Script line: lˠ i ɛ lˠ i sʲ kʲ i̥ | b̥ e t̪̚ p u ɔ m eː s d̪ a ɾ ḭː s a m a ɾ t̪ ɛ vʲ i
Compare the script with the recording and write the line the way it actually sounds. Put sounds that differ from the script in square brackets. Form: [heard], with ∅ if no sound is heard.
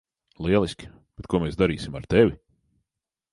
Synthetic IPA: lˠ i ɛ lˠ i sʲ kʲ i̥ | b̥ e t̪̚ [k] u ɔ m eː s d̪ a ɾ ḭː s [i] m a ɾ t̪ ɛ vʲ i